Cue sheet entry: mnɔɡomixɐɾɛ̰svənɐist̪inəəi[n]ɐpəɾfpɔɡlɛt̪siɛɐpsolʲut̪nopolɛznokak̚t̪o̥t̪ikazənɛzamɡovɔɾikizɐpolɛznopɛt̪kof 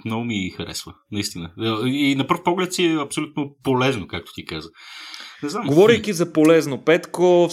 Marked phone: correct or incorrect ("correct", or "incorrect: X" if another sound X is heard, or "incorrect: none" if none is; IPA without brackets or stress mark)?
correct